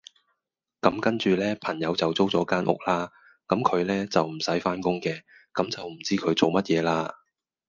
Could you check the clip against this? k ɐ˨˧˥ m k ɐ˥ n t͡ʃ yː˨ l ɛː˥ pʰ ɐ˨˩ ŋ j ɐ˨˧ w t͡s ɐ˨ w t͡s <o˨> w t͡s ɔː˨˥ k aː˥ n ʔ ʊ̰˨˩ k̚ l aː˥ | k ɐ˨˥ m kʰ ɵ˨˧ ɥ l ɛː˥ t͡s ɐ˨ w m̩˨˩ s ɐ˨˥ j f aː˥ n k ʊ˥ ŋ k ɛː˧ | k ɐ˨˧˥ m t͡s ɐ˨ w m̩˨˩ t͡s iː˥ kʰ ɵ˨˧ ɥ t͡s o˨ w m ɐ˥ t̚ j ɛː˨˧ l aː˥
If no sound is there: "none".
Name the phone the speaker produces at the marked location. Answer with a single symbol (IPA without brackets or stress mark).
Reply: o˥